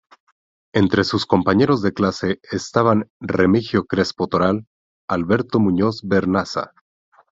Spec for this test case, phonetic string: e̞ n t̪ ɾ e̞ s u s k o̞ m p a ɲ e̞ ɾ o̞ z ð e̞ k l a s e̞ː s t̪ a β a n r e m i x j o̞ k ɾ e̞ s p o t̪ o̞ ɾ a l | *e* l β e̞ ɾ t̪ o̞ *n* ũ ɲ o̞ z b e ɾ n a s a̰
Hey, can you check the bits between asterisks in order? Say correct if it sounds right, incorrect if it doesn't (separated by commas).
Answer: incorrect, incorrect